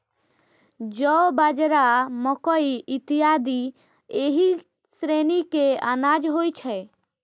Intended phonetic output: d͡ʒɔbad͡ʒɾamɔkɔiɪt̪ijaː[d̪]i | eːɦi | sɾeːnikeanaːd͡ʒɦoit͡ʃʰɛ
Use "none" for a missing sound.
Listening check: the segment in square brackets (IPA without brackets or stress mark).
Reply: d̪